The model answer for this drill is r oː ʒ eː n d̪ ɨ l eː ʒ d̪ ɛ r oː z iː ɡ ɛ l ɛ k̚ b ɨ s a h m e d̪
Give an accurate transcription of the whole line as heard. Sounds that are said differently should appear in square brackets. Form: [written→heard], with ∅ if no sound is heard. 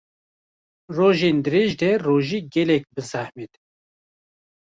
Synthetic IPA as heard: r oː ʒ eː n d̪ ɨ [l→ɾ] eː ʒ d̪ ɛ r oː [z→ʒ] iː ɡ ɛ l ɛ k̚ b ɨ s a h m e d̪